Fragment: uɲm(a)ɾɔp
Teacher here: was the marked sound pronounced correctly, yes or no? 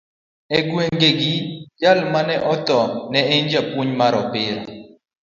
yes